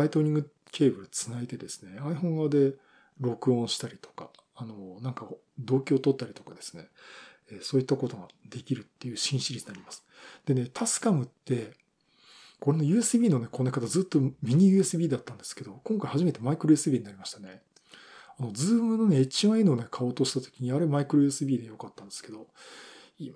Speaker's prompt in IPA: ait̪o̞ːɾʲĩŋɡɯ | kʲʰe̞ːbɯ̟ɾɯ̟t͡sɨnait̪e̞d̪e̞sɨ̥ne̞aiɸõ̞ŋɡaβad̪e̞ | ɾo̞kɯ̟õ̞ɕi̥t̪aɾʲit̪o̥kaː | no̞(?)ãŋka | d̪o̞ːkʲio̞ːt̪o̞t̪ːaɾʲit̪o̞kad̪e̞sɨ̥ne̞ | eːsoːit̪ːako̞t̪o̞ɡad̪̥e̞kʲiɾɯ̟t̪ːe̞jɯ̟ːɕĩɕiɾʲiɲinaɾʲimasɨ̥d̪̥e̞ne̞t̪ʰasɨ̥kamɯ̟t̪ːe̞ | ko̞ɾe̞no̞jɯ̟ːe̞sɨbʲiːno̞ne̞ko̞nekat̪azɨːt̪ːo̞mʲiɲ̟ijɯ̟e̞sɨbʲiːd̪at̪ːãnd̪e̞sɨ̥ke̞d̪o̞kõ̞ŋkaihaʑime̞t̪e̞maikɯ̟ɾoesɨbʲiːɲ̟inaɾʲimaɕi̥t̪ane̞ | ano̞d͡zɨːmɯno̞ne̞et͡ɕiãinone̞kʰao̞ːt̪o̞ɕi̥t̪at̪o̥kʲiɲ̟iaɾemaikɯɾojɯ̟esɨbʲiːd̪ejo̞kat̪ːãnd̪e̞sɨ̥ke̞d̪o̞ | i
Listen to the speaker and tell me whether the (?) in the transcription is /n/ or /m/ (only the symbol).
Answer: n